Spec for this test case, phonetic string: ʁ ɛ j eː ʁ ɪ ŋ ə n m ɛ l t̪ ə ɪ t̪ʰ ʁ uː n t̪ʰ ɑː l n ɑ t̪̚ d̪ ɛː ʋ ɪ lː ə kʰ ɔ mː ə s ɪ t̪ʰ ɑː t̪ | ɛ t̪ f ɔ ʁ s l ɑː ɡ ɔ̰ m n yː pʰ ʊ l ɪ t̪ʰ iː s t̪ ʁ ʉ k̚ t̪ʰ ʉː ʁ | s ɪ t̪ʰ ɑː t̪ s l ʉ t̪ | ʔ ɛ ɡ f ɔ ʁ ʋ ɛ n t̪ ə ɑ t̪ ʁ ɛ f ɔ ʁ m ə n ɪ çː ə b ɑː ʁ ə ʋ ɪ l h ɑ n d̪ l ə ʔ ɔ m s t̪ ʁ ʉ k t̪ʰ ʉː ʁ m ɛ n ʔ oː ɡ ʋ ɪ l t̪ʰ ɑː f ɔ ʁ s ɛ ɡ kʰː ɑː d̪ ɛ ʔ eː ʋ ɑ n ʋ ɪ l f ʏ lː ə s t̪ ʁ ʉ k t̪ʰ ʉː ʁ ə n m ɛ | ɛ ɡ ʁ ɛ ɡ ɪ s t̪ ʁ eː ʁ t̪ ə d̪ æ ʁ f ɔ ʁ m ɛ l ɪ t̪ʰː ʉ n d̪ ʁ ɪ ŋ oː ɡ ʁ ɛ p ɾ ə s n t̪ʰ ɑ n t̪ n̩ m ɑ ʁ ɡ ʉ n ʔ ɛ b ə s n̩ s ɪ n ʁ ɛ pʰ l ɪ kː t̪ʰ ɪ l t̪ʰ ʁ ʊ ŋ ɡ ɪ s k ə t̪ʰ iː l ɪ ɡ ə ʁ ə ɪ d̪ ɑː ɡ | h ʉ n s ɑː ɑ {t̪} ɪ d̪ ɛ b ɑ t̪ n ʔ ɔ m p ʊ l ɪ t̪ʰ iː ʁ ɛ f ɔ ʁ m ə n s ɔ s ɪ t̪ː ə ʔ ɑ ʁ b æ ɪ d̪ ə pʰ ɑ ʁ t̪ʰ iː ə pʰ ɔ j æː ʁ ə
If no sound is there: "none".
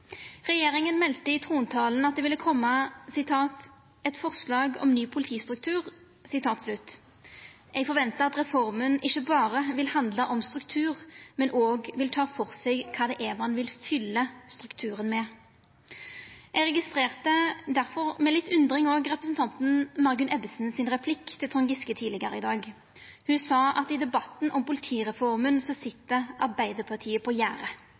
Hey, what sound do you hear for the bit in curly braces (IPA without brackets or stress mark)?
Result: t̪